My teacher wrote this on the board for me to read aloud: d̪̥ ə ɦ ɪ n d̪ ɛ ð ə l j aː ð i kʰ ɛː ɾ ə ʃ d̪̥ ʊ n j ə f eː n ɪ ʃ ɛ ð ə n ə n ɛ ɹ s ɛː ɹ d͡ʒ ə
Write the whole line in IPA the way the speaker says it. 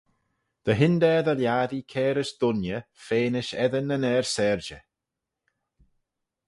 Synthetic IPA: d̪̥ ə ɦ ɪ n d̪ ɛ ð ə l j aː ð i kʰ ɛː ɾ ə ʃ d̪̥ ʊ n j ə f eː n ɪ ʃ ɛ ð ə n ə n ɛ ɹ s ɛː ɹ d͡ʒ ə

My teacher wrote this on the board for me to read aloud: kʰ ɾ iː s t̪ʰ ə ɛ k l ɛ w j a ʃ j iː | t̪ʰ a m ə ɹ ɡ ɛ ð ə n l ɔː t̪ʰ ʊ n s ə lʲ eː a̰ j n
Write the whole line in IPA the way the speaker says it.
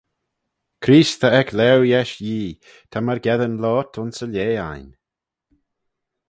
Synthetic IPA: kʰ ɾ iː s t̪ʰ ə ɛ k l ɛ w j ɛ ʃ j iː | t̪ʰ a m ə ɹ ɡ ɛ ð ə n l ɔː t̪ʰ ʊ n s ə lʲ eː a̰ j n

